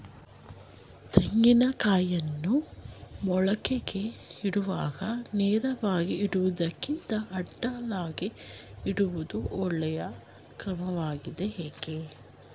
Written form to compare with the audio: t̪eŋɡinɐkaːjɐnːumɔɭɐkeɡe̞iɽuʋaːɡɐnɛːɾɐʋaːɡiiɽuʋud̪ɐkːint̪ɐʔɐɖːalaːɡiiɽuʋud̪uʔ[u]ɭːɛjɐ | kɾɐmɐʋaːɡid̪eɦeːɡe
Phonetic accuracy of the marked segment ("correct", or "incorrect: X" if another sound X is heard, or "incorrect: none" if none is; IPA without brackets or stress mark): incorrect: ɔ